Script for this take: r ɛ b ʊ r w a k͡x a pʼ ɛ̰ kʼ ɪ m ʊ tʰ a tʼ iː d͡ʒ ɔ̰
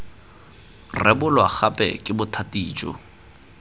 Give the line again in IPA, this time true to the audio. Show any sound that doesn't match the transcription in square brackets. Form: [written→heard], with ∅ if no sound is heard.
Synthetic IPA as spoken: r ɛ b ʊ [r→l] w a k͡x a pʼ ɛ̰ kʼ ɪ [m→b] ʊ tʰ a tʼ iː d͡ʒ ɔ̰

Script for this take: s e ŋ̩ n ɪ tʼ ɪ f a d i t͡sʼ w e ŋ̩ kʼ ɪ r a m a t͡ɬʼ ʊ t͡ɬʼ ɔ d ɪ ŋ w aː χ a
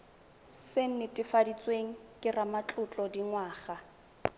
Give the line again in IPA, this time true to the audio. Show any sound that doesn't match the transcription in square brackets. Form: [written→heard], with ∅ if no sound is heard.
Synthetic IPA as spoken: s e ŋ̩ n ɪ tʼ ɪ f a d i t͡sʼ w e ŋ̩ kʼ ɪ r a m a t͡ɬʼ ʊ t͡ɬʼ ɔ d [ɪ→i] ŋ w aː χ a

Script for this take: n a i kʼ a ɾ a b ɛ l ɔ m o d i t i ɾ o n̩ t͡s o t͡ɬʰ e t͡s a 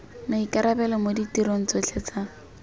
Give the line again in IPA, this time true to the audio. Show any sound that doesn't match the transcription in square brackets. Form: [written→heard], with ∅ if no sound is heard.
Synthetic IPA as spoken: n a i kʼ a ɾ a b ɛ l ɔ m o d i t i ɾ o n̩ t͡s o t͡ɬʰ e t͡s a

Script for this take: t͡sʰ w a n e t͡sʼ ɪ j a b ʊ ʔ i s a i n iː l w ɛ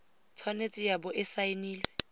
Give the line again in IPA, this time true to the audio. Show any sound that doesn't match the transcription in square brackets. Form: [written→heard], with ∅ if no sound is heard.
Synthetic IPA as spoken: t͡sʰ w a n e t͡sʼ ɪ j a b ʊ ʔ [i→ɪ] s a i n iː l w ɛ

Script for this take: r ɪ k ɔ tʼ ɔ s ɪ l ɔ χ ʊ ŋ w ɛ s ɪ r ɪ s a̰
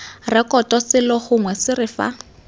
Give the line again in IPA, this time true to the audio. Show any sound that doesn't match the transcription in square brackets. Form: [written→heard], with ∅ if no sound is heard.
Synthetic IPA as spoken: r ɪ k ɔ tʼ ɔ s ɪ l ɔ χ ʊ ŋ w ɛ s ɪ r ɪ [s→f] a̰

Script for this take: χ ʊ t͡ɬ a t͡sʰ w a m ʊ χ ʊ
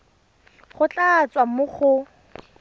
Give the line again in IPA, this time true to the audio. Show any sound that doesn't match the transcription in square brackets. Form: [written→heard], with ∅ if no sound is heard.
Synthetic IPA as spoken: χ ʊ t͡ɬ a [t͡sʰ→t͡s] w a m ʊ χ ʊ

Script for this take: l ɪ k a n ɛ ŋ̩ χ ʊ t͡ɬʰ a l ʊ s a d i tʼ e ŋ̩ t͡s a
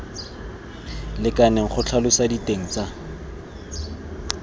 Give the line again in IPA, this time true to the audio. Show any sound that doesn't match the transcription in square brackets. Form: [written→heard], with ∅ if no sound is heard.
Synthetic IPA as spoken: l ɪ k a n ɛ ŋ̩ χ ʊ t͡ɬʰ a l ʊ s a d i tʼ e ŋ̩ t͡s a

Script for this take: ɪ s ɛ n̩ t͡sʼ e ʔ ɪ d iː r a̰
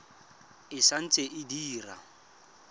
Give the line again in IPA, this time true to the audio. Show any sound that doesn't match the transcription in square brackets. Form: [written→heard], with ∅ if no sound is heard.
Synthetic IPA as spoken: ɪ s [ɛ→a] n̩ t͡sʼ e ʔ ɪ d iː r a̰

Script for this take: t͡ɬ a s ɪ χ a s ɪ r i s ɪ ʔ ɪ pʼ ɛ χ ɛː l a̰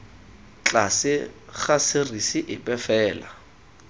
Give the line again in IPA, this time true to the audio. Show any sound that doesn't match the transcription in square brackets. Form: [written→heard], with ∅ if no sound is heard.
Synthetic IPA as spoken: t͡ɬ a s ɪ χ a s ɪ r i s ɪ ʔ ɪ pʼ ɛ [χ→f] ɛː l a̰

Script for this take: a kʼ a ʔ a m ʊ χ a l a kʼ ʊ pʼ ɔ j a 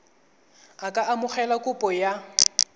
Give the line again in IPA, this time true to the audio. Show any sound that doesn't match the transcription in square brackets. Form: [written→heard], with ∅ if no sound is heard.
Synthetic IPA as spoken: a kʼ a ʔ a m ʊ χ [a→ɛ] l a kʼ ʊ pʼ ɔ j a

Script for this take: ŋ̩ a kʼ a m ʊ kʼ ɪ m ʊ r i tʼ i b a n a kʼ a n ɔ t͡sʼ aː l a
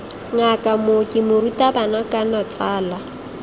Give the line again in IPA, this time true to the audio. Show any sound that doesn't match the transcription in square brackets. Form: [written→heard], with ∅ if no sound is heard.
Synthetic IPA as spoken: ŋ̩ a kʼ a m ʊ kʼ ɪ m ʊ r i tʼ [i→a] b a n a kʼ a n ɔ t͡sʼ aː l a

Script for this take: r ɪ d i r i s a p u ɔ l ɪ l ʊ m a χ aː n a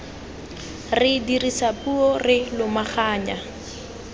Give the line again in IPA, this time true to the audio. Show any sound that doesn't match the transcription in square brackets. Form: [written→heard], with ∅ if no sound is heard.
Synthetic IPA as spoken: r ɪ d i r i s a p u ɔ [l→r] ɪ l ʊ m a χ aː [n→ɲ] a

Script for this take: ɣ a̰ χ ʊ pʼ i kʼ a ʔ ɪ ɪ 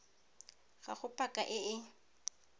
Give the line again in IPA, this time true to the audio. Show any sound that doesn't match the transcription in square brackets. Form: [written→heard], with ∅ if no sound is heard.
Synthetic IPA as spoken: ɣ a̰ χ ʊ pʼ [i→a] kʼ a ʔ ɪ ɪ

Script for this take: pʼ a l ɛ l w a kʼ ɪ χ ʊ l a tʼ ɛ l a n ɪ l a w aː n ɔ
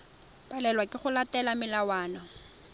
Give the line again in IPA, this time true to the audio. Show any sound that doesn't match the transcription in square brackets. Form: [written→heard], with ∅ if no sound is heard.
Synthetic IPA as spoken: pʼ a l ɛ l w a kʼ ɪ χ ʊ l a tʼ ɛ l a [n→m] ɪ l a w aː n ɔ

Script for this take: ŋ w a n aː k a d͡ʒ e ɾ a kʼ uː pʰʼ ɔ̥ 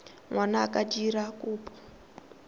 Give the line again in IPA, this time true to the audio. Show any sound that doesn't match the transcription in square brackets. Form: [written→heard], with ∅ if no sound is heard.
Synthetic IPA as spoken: ŋ w a n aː k a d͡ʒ [e→i] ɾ a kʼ uː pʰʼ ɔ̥

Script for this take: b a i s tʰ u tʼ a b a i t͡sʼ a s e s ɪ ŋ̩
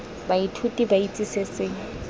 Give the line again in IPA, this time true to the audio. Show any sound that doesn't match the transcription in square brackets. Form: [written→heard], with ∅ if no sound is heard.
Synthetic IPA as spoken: b a i [s→∅] tʰ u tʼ [a→i] b a i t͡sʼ [a→i] s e s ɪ ŋ̩

